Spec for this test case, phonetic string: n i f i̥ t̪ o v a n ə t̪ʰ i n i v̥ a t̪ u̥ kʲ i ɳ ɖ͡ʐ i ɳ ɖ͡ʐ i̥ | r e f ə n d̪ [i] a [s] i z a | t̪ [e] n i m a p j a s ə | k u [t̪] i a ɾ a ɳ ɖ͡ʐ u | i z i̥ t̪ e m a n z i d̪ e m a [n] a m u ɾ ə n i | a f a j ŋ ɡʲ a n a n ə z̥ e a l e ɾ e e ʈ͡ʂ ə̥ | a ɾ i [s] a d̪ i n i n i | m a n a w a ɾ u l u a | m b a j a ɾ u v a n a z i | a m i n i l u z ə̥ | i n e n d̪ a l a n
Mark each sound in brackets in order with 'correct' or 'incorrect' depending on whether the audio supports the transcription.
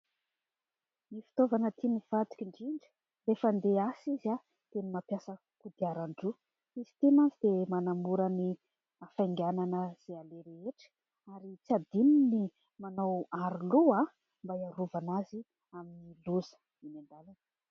incorrect: e, correct, correct, incorrect: d̪, correct, incorrect: t͡s

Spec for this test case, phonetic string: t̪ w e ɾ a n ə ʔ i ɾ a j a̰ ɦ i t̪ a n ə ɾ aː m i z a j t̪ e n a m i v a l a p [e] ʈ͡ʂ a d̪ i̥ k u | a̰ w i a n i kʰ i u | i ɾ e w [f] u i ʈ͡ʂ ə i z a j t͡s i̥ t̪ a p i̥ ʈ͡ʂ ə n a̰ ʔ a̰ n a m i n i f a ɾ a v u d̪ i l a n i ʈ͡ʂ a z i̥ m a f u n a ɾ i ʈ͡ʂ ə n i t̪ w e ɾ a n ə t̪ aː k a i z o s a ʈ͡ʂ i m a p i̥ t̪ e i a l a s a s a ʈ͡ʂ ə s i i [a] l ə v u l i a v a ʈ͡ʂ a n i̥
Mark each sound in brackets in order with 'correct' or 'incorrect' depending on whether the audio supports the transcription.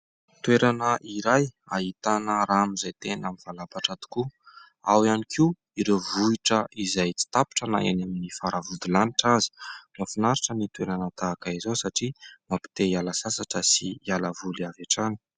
incorrect: a, incorrect: v, correct

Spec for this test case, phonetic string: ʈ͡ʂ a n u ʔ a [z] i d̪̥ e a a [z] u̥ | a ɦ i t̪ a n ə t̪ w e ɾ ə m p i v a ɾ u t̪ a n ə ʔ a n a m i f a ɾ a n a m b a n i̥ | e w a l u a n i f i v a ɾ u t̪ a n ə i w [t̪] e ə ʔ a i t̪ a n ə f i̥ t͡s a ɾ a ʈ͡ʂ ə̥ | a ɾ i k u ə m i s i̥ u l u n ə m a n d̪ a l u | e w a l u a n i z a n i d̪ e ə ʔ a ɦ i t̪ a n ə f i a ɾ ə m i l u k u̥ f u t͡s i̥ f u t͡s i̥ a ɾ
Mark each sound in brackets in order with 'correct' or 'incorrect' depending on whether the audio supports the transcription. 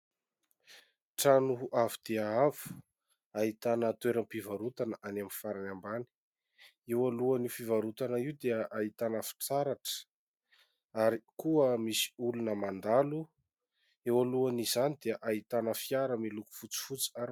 incorrect: v, incorrect: v, incorrect: d̪

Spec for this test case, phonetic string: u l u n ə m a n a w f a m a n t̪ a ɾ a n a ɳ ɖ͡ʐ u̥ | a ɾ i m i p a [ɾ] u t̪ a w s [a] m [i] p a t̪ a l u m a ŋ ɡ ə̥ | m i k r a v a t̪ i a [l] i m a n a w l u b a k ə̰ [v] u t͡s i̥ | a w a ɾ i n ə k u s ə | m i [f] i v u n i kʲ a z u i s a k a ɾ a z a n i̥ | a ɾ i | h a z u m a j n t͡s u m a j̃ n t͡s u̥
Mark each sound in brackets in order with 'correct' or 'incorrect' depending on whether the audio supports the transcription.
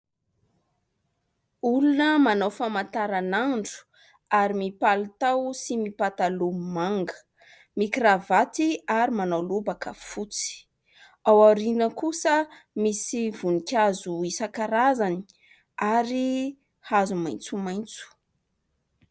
incorrect: l, incorrect: i, correct, incorrect: ɾ, incorrect: f, incorrect: s

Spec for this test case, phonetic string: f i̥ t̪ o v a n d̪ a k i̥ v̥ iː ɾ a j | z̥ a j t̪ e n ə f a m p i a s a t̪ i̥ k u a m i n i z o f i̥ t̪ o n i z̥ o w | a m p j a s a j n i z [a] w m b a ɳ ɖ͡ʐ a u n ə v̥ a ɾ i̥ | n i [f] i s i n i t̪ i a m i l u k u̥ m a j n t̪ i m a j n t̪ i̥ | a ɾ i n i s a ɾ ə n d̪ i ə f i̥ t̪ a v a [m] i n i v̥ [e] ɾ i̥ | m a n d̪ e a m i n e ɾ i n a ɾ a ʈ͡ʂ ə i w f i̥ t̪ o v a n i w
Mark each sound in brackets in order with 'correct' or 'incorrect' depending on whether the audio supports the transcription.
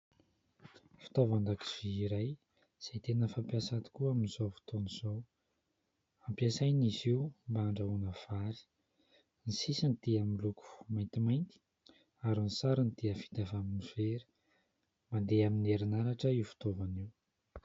incorrect: i, incorrect: s, correct, correct

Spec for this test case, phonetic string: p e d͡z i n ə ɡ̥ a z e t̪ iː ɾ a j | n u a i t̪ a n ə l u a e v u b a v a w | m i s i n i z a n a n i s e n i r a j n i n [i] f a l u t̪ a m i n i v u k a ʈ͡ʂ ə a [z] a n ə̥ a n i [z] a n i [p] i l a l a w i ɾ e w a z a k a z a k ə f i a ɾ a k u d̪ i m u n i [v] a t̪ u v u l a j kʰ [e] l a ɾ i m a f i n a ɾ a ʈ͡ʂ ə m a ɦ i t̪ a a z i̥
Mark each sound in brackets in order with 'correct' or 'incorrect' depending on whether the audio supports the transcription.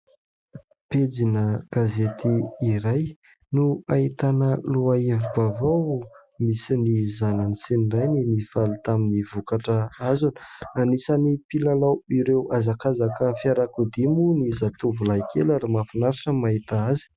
correct, correct, incorrect: s, correct, incorrect: z, correct

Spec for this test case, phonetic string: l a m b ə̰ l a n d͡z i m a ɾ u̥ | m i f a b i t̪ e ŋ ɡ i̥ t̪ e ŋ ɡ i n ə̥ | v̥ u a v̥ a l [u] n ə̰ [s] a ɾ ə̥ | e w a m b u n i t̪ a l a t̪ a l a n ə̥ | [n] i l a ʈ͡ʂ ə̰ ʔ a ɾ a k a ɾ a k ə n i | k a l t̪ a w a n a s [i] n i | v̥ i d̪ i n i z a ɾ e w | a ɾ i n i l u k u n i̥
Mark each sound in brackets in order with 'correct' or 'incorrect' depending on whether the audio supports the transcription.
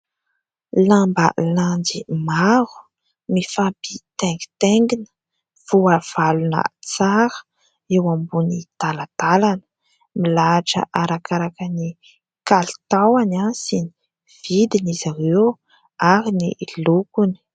correct, incorrect: t͡s, incorrect: m, correct

